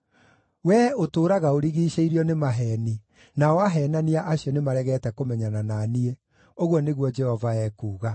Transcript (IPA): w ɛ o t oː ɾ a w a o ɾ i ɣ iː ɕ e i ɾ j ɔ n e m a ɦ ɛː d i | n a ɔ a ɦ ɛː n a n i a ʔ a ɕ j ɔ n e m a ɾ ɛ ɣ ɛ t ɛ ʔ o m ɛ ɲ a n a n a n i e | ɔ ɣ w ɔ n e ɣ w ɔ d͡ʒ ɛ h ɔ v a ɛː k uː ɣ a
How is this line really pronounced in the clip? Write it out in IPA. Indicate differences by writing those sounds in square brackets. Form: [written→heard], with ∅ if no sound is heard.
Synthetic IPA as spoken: w ɛ o t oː ɾ a [w→ɣ] a o ɾ i ɣ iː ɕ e i ɾ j ɔ n e m a ɦ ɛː [d→n] i | n a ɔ a ɦ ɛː n a n i a ʔ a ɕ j ɔ n e m a ɾ ɛ ɣ ɛ t ɛ [ʔ→k] o m ɛ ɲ a n a n a n i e | [ɔ→o] ɣ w ɔ n e ɣ w ɔ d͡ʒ ɛ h ɔ v a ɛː k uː ɣ a